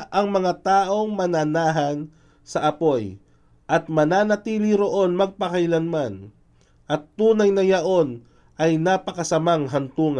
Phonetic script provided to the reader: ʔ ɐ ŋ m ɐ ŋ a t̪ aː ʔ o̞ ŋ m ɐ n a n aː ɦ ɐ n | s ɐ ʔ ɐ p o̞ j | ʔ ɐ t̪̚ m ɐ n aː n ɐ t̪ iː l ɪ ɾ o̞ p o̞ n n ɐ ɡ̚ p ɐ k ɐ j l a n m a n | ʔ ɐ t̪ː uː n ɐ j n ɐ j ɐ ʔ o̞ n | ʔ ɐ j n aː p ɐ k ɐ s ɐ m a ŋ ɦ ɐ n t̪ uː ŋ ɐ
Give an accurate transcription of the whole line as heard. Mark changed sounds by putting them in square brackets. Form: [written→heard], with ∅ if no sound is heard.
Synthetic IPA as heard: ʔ ɐ ŋ m ɐ ŋ a t̪ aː ʔ o̞ ŋ m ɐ n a n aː ɦ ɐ n | s ɐ ʔ ɐ p o̞ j | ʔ ɐ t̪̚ m ɐ n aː n ɐ t̪ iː l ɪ ɾ o̞ [p→ʔ] o̞ n [n→m] ɐ ɡ̚ p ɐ k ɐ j l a n m a n | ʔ ɐ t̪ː uː n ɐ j n ɐ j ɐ ʔ o̞ n | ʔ ɐ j n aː p ɐ k ɐ s ɐ m a ŋ ɦ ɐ n t̪ uː ŋ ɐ